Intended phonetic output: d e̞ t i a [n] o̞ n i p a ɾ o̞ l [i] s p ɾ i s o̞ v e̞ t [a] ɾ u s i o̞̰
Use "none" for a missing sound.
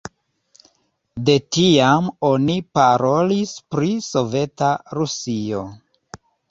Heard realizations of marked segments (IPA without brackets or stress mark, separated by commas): m, i, a